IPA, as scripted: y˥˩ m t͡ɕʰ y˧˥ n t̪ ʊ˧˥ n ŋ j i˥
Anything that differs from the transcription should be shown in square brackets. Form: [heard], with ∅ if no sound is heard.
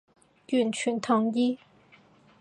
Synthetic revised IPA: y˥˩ [n] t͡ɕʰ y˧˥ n [t̪ʰ] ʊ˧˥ [∅] ŋ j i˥